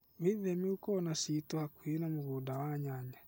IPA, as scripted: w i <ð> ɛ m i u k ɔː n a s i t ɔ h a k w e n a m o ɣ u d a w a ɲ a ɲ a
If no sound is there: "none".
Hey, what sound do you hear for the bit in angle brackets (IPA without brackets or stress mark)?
ð